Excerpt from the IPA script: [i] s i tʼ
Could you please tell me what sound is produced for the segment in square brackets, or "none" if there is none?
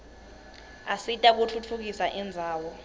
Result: a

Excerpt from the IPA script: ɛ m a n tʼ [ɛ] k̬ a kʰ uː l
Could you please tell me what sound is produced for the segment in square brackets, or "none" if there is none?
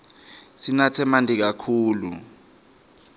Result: i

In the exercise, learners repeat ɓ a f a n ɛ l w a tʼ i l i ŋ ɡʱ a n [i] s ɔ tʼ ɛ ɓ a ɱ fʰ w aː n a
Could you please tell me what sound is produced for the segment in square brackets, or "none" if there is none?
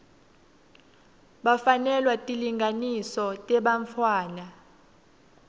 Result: i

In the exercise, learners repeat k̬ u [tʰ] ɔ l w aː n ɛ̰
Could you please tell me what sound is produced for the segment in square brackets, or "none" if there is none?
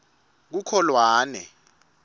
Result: kʰ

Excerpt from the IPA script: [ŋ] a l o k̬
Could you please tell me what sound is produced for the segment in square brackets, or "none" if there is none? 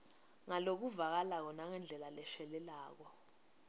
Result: ŋ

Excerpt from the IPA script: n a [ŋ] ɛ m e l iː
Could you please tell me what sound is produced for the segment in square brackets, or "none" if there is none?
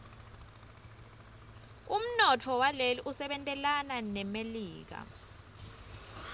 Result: n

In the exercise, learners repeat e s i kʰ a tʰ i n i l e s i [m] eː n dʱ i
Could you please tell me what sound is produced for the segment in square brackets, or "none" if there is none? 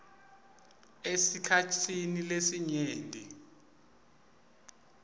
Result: ɲ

